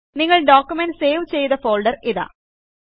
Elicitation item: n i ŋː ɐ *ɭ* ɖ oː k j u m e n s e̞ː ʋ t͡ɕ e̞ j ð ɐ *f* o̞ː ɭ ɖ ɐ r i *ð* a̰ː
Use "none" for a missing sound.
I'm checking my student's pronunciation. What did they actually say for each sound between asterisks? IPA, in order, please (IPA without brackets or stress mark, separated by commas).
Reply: ɭ, f, ð